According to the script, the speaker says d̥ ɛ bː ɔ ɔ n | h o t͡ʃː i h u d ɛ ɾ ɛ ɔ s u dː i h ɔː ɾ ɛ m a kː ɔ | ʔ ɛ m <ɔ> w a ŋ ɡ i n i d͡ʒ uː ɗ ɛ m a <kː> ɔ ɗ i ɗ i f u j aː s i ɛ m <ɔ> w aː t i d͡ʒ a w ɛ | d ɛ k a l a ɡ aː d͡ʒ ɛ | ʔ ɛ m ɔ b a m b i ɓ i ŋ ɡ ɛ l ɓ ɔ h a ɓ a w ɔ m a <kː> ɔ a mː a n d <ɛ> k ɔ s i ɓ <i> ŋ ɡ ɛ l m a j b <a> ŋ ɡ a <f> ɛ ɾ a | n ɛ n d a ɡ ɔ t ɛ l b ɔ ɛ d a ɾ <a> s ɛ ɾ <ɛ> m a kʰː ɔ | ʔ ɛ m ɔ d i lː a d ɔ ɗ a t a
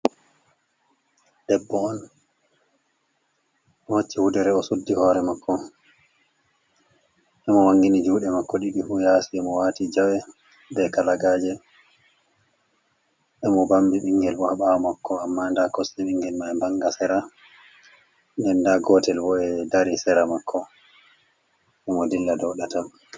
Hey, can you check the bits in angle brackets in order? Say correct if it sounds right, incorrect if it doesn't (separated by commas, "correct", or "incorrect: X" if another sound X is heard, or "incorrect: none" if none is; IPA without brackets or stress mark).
correct, correct, correct, correct, incorrect: a, correct, correct, incorrect: s, incorrect: i, incorrect: a